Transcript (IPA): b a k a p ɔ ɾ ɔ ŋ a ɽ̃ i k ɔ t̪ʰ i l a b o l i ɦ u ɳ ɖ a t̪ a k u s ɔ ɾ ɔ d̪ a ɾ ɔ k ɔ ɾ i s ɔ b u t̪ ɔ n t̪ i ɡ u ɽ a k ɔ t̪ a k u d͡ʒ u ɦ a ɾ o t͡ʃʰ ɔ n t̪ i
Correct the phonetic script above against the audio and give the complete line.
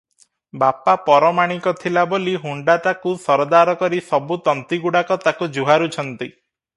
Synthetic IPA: b a p a p ɔ ɾ ɔ m a ɽ̃ i k ɔ t̪ʰ i l a b o l i ɦ u ɳ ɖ a t̪ a k u s ɔ ɾ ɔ d̪ a ɾ ɔ k ɔ ɾ i s ɔ b u t̪ ɔ n t̪ i ɡ u ɽ a k ɔ t̪ a k u d͡ʒ u ɦ a ɾ u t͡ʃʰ ɔ n t̪ i